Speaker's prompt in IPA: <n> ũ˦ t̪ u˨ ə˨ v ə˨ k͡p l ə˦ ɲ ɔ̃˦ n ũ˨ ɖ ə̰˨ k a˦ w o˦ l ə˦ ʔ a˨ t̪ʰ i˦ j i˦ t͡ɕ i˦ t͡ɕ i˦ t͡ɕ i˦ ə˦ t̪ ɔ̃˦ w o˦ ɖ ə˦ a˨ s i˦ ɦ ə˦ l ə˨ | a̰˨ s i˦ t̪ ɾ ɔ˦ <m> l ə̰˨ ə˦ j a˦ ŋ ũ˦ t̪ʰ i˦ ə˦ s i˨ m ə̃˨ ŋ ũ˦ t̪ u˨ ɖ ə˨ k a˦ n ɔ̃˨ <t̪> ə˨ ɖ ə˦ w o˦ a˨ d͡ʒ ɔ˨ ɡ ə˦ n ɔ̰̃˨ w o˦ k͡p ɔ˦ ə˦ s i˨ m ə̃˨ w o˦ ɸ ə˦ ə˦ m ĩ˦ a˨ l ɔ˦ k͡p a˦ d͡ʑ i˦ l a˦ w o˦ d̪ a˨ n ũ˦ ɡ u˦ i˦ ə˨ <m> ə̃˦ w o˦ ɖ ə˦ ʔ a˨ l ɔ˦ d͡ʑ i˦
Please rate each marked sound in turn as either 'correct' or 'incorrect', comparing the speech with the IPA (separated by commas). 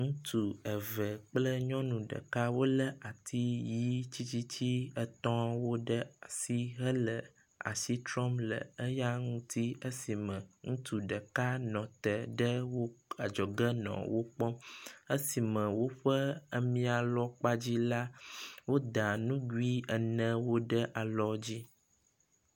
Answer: incorrect, correct, correct, incorrect